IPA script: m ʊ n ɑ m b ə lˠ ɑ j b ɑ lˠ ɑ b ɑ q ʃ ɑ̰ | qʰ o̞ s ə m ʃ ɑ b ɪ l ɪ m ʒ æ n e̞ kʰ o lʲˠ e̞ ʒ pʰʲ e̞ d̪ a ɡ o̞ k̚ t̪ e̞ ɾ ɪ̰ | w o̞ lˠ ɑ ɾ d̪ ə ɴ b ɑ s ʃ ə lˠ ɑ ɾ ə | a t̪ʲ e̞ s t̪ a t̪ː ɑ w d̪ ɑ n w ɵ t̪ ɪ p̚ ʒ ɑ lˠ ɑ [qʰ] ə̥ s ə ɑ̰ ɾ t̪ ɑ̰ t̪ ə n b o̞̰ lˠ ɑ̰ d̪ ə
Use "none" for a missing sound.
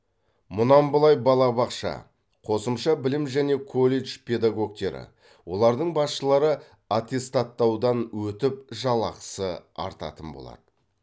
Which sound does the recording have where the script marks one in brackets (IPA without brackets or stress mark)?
q